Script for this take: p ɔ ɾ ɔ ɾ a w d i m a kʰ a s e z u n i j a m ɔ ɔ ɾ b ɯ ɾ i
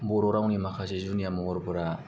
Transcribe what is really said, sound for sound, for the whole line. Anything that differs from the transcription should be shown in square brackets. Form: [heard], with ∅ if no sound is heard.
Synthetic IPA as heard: [b] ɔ ɾ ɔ ɾ a w [n] i m a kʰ a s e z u n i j a m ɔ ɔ ɾ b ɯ ɾ [a]